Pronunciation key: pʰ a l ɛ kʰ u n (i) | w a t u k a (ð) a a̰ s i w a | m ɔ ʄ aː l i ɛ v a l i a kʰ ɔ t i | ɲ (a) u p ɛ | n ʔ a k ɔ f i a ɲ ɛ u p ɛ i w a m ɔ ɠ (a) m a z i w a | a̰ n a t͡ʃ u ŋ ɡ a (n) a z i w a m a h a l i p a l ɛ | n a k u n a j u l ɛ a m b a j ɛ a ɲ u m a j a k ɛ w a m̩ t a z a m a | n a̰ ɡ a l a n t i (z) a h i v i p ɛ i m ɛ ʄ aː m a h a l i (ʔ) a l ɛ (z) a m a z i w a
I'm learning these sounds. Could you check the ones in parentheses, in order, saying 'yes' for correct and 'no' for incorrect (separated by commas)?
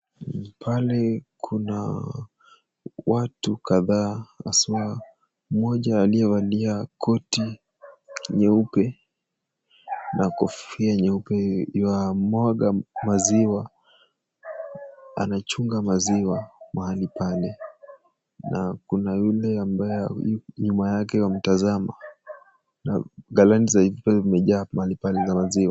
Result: no, yes, no, yes, no, yes, no, yes